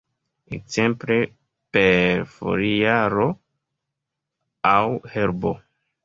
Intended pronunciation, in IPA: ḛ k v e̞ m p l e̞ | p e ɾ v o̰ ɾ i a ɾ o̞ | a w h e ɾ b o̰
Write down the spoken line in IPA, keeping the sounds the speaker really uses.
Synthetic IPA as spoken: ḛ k z e̞ m p l e̞ | p e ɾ f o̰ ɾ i a ɾ o̞ | a w h e ɾ b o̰